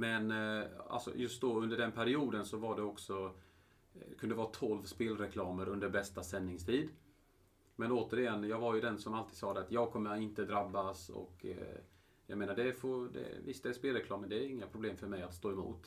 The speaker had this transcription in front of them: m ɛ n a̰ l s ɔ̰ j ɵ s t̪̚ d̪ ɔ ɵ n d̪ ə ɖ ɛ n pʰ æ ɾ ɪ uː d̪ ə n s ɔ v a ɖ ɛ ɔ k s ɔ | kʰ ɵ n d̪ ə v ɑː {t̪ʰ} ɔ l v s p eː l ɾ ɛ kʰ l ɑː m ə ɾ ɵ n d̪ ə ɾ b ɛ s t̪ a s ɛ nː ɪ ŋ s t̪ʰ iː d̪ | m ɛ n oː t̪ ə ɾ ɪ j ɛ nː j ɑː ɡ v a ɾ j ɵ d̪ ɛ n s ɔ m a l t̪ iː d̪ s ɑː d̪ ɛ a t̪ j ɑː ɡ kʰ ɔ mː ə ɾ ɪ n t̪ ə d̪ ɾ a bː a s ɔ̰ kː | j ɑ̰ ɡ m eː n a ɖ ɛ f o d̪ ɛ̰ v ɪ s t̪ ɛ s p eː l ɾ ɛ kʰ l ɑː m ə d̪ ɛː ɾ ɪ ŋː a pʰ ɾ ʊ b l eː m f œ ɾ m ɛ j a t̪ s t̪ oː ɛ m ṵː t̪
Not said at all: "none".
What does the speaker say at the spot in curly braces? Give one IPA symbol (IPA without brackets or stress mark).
t̪ʰ